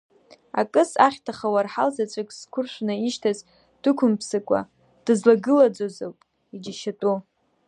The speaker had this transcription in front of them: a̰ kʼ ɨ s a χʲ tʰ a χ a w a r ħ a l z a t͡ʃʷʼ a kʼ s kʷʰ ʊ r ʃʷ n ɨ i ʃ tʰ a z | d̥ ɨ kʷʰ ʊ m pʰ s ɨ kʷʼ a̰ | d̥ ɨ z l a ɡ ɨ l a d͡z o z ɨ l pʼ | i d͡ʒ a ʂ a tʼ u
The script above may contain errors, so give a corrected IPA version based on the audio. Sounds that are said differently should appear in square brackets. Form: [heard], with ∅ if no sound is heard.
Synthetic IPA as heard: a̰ kʼ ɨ s a χʲ tʰ a χ a w a r ħ a l z a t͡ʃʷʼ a kʼ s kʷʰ ʊ r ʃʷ n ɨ i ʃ tʰ a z | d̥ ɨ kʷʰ ʊ m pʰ s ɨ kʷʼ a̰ | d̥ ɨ z l a ɡ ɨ l a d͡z o z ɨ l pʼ | i d͡ʒ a [ʃ] a tʼ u